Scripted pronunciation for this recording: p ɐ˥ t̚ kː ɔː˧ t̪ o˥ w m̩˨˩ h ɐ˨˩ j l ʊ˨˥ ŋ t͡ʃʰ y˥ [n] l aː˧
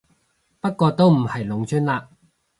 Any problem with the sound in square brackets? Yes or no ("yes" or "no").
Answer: no